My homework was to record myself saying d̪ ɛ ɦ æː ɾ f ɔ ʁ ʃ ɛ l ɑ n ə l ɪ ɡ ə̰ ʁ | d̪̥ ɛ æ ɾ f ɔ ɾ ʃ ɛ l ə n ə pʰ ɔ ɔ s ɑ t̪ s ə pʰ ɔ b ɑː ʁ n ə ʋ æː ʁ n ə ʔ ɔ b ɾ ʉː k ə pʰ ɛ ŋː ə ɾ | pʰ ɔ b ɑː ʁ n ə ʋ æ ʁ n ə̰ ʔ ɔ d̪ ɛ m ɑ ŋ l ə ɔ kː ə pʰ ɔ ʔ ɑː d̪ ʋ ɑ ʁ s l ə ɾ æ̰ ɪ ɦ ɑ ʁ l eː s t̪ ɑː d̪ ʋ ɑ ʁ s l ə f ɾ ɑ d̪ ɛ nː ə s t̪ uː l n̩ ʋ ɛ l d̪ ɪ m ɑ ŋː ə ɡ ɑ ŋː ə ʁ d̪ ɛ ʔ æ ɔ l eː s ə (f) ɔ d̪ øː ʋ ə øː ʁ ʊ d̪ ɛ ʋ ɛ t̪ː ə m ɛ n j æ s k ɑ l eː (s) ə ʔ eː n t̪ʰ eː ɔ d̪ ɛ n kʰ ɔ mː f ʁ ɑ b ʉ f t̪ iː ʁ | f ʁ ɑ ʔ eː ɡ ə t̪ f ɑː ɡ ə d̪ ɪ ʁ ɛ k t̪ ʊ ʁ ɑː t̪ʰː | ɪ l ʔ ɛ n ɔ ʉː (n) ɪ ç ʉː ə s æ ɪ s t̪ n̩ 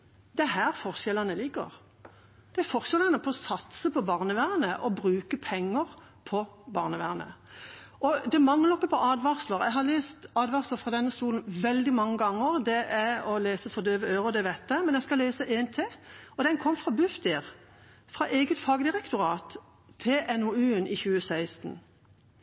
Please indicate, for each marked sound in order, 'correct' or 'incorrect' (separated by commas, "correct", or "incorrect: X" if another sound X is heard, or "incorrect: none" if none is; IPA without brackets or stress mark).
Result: correct, correct, correct